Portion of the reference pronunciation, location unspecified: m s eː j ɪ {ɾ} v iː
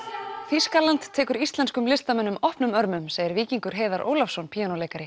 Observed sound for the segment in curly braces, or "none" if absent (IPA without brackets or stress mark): ɾ